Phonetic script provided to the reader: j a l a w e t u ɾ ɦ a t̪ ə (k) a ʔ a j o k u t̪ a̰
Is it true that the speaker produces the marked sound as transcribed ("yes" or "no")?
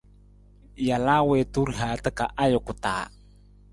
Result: yes